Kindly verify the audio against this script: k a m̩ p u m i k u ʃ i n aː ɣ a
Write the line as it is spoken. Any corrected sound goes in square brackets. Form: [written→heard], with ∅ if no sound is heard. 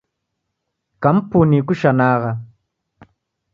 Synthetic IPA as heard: k a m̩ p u [m→n] i k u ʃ [i→a] n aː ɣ a